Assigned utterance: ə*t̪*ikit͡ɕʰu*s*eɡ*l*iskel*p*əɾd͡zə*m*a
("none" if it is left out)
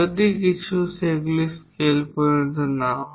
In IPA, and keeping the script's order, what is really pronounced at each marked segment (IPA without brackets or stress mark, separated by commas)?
d̪, s, l, p, n